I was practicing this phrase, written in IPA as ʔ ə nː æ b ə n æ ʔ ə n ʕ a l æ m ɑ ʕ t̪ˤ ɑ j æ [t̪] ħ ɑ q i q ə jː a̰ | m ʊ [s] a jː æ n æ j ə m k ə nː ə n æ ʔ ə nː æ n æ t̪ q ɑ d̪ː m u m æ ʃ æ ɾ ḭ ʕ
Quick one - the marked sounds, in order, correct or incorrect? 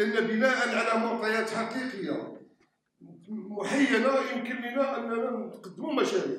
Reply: correct, incorrect: ħ

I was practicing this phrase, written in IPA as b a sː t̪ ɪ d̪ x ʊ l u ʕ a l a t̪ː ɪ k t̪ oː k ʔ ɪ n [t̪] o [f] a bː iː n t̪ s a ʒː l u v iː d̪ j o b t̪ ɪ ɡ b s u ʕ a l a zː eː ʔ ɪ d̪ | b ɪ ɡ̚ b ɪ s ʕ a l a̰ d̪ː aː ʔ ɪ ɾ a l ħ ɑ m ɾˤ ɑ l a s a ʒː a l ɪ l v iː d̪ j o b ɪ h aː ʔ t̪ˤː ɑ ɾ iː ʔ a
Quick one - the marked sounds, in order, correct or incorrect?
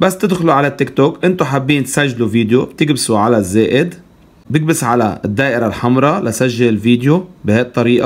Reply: correct, incorrect: ħ

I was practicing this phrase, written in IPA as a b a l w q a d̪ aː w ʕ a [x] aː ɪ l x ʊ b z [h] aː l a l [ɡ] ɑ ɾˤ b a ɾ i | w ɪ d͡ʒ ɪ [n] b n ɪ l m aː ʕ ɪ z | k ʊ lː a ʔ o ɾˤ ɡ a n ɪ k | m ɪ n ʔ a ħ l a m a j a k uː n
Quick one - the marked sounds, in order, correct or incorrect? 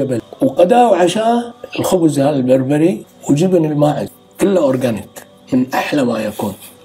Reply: incorrect: ʃ, correct, incorrect: b, incorrect: none

